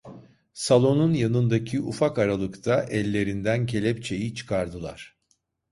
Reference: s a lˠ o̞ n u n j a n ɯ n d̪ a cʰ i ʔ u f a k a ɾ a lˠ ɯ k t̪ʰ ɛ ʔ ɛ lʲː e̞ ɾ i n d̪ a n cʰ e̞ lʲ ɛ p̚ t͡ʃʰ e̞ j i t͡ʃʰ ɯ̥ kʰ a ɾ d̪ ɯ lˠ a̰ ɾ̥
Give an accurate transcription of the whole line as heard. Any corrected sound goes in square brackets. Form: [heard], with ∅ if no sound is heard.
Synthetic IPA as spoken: s a lˠ o̞ n u n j a n ɯ n d̪ a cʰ i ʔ u f a k a ɾ a lˠ ɯ k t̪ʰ [a] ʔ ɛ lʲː e̞ ɾ i n d̪ [æ] n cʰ e̞ lʲ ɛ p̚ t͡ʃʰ e̞ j i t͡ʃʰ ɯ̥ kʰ a ɾ d̪ ɯ lˠ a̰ ɾ̥